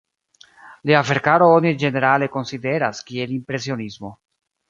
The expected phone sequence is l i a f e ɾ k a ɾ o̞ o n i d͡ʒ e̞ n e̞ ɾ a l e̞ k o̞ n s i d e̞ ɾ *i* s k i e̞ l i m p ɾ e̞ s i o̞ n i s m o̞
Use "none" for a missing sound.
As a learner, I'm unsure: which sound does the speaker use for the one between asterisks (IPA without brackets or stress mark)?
a